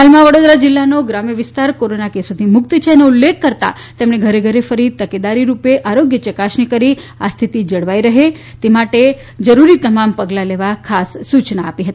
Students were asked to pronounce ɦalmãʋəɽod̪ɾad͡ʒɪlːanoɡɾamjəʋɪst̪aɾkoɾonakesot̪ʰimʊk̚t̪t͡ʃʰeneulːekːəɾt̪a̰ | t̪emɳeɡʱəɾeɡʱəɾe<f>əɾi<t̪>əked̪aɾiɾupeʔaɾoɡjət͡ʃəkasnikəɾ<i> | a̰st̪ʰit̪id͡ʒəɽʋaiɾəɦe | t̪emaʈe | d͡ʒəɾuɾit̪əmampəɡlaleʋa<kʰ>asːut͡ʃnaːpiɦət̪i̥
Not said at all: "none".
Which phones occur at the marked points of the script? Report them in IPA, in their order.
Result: f, t̪, i, kʰ

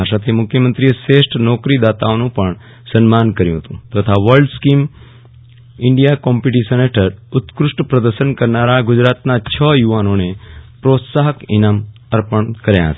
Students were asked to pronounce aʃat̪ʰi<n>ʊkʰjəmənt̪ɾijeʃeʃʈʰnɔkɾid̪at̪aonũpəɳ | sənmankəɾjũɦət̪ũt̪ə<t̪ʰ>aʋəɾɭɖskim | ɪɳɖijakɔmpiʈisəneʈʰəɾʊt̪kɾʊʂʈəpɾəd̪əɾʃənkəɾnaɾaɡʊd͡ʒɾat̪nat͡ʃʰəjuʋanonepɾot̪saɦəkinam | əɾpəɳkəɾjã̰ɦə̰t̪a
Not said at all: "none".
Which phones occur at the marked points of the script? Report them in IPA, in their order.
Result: m, t̪ʰ

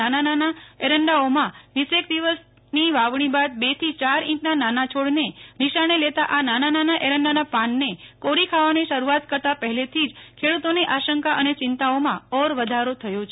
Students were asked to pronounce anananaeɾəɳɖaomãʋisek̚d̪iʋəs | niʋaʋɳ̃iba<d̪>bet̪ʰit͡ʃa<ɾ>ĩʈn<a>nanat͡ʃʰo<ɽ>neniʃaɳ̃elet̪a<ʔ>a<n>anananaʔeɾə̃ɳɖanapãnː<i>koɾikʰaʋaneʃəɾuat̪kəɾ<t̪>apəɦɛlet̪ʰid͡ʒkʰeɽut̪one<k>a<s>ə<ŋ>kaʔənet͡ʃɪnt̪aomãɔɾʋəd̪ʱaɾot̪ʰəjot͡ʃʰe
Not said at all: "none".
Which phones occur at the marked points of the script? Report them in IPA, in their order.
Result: d̪, ɾ, a, ɽ, ʔ, n, e, t̪, ʔ, ʃ, ŋ

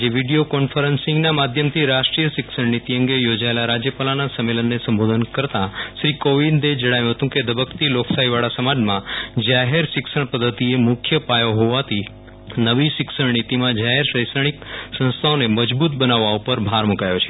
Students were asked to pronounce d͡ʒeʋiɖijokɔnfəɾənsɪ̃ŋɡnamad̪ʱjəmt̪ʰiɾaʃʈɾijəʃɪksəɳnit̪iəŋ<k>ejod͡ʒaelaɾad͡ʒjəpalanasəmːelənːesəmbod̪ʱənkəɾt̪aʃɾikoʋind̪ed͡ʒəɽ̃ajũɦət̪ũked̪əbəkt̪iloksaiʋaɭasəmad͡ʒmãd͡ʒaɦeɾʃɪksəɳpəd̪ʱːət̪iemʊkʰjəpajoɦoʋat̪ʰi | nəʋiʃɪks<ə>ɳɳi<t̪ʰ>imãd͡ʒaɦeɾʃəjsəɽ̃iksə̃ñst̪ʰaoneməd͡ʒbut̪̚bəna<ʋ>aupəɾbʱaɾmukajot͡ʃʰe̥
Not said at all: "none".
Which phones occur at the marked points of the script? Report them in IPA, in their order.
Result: ɡ, ə, t̪, ʋː

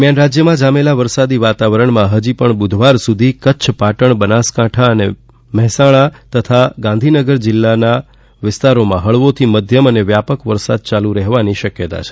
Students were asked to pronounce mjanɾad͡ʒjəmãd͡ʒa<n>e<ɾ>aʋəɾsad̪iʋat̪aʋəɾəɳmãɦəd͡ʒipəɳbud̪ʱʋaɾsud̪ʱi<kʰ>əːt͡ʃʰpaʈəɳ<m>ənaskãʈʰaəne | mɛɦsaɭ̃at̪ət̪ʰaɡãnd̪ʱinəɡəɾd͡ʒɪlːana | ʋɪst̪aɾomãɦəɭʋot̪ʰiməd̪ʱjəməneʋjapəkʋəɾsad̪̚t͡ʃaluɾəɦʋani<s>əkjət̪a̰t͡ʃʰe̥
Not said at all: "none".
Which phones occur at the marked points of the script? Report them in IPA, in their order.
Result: m, l, k, b, ʃ

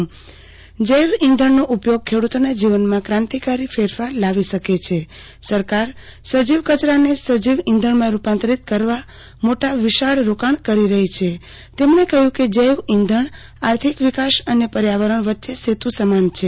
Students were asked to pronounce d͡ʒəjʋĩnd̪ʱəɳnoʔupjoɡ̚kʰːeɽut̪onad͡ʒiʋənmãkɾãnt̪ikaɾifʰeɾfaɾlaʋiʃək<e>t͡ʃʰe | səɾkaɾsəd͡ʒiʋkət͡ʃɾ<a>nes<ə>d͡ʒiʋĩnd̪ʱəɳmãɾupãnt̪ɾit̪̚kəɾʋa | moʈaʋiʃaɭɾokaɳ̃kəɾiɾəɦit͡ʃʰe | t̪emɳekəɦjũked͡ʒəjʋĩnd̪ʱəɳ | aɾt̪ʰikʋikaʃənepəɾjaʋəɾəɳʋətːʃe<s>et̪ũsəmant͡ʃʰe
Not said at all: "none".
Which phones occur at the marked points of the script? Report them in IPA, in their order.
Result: e, a, ə, s

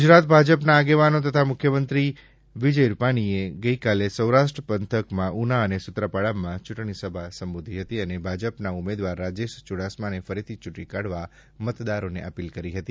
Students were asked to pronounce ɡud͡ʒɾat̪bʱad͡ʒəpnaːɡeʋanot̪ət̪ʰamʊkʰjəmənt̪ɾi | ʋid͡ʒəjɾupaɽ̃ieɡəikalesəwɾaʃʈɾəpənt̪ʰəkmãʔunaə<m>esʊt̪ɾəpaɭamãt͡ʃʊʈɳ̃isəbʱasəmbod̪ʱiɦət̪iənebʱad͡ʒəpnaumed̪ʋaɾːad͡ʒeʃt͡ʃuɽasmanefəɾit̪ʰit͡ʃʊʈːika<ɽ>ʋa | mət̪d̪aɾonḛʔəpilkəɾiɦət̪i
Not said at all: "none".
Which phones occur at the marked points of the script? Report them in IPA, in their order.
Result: n, ɽ

